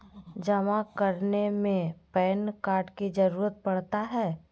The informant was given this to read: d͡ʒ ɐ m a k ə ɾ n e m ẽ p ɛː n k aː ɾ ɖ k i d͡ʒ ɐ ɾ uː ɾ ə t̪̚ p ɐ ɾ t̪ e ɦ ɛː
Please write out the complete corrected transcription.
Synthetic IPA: d͡ʒ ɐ m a k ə ɾ n e m ẽ p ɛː n k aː ɾ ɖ k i d͡ʒ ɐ ɾ uː ɾ ə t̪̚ p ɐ ɽ t̪ a ɦ ɛː